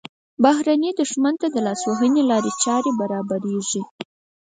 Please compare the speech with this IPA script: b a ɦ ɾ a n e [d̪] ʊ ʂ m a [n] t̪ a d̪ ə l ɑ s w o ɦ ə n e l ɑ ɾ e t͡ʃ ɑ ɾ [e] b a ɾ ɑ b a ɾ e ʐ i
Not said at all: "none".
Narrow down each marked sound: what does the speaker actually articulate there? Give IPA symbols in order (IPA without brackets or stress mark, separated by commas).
d̪, n, e